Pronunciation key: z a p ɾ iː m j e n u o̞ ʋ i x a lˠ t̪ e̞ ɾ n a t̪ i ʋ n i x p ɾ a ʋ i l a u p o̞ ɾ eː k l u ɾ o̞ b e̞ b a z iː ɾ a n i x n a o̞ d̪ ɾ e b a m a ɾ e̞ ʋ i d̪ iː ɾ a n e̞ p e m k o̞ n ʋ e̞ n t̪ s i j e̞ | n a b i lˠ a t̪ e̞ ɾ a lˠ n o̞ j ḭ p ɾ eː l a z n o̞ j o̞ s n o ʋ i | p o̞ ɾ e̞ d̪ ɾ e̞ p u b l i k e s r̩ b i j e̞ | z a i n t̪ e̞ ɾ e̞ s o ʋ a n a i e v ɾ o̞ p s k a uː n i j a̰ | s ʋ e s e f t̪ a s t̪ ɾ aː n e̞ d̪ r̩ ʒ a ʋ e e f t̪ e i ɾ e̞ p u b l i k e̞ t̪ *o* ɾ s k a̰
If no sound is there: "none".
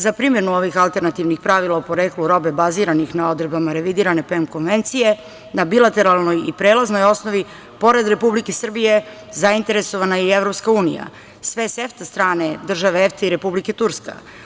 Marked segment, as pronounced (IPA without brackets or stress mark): u